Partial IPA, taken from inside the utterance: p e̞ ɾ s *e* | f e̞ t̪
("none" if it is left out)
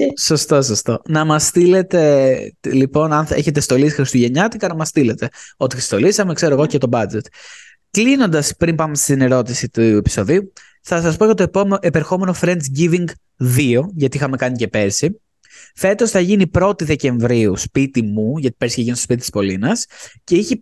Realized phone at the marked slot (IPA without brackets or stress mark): i